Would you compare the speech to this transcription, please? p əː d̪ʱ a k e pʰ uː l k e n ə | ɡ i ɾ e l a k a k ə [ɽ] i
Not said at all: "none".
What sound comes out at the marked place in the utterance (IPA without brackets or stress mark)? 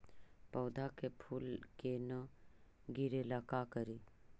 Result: ɾ